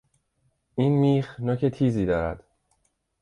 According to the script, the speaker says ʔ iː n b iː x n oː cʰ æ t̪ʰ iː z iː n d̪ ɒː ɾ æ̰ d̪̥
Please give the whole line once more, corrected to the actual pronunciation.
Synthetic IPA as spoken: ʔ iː n m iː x n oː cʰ e t̪ʰ iː z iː d̪ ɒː ɾ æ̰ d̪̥